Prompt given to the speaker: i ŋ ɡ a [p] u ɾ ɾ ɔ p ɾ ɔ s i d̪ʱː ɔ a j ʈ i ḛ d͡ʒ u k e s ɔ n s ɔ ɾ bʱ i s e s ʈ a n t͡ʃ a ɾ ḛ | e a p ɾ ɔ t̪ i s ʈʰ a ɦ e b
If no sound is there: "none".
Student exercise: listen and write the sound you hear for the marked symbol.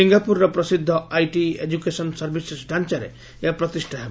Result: p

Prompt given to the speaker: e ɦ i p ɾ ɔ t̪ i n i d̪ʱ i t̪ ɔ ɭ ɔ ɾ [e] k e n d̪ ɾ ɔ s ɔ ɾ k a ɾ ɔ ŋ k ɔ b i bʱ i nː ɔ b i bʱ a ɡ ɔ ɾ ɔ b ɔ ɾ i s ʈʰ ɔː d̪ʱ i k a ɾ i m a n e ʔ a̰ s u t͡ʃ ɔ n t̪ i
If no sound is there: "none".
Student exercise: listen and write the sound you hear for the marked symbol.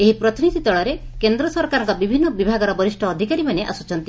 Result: e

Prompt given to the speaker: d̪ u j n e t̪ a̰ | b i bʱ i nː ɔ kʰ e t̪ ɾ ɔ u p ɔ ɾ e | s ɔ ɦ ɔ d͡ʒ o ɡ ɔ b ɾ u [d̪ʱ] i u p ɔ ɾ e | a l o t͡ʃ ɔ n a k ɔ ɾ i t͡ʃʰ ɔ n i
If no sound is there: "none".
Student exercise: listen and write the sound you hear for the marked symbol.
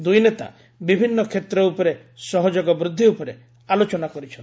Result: d̪ʱː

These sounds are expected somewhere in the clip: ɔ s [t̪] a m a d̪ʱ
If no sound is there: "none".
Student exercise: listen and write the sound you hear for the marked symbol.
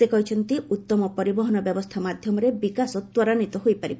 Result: t̪ʰ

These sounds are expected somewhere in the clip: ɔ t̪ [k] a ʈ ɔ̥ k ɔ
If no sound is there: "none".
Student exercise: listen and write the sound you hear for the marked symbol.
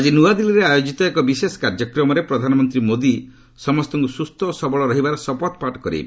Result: p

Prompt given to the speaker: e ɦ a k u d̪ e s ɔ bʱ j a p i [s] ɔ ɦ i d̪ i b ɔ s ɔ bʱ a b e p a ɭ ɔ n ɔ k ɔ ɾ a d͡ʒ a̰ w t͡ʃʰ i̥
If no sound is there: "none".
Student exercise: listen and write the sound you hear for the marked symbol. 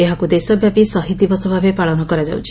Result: s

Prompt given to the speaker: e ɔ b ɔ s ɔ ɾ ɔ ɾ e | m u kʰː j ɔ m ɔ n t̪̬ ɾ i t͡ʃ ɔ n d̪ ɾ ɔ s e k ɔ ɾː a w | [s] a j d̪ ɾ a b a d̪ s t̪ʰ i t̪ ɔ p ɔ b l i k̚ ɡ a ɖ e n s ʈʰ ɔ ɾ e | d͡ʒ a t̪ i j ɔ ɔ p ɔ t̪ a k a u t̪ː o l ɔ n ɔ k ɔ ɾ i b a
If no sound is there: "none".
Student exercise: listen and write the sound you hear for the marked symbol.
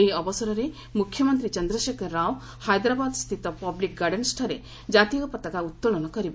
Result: h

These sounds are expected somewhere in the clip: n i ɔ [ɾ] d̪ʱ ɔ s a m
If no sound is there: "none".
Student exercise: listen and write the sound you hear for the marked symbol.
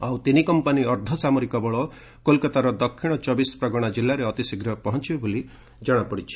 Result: ɾ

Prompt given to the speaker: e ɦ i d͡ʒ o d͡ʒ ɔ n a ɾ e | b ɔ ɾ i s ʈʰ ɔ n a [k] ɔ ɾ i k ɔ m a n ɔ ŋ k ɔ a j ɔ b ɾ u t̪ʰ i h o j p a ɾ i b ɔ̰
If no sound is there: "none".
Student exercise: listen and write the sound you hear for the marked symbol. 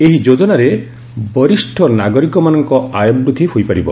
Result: ɡ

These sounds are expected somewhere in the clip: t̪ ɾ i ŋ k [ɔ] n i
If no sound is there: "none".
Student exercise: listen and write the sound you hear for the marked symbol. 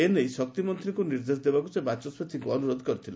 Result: u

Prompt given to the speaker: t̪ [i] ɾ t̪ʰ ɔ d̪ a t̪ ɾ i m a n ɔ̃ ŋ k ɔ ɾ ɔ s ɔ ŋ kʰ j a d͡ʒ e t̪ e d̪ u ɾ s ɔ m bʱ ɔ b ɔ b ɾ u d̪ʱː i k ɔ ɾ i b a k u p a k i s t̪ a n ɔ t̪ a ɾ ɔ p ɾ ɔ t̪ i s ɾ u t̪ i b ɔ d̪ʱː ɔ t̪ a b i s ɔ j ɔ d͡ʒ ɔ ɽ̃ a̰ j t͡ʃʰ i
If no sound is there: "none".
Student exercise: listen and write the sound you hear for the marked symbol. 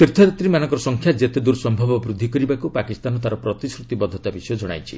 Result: i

